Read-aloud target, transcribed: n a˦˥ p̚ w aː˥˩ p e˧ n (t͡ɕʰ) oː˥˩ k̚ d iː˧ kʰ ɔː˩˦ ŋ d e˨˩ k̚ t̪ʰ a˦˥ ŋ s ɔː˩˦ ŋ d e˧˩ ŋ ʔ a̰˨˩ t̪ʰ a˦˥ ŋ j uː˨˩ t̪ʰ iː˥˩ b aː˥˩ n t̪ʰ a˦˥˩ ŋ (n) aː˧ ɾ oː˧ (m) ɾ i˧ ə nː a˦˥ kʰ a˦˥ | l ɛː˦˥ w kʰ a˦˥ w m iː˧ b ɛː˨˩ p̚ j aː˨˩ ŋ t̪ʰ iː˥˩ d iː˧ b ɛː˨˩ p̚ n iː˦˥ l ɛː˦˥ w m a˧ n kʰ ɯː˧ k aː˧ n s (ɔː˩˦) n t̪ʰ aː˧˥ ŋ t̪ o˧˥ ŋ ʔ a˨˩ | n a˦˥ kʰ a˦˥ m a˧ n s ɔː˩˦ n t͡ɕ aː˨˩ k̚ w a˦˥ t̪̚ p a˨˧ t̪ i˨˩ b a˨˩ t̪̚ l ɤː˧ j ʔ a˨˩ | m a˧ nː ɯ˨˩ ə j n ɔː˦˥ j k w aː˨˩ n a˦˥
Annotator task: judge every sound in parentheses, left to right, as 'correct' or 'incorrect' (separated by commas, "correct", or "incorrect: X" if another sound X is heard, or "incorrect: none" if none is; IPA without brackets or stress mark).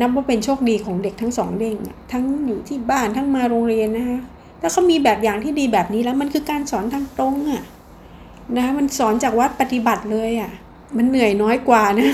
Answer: correct, incorrect: m, incorrect: ŋ, correct